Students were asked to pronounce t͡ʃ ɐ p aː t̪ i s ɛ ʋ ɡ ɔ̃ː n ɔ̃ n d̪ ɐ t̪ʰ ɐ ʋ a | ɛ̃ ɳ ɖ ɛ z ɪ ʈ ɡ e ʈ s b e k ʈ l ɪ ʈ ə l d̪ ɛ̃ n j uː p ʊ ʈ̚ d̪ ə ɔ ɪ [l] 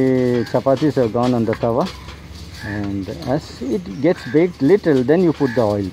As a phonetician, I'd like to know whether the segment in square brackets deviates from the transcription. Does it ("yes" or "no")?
no